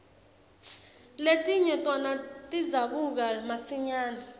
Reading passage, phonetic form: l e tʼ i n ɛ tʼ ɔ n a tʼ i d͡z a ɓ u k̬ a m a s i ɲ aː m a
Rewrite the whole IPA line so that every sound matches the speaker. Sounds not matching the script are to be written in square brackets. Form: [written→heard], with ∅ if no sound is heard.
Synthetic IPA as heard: l e tʼ i [n→ɲ] ɛ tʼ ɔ n a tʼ i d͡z a ɓ u k̬ a m a s i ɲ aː [m→n] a